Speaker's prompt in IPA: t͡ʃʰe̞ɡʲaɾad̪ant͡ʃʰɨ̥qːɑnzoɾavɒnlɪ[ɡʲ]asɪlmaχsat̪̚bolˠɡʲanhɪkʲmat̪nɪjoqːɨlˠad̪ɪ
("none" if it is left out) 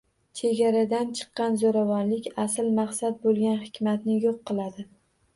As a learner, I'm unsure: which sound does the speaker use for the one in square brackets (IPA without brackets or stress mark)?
kʲ